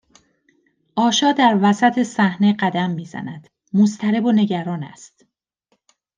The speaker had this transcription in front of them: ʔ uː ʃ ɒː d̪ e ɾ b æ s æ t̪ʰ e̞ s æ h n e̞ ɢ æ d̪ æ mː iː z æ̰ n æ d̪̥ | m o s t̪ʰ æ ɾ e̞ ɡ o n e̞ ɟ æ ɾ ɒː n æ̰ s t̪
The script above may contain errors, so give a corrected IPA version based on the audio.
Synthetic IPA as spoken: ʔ ɒː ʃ ɒː d̪ æ ɾ v æ s æ t̪ʰ e̞ s æ h n e̞ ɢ æ d̪ æ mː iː z æ̰ n æ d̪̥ | m o s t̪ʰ æ ɾ e̞ b o n e̞ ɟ æ ɾ ɒː n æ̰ s t̪